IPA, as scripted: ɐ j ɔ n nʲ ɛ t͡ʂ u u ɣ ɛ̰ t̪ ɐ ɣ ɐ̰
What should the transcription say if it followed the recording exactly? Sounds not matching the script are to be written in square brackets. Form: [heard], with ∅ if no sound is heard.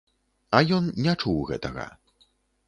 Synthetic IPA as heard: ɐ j ɔ n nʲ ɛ t͡ʂ u [w] ɣ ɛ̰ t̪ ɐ ɣ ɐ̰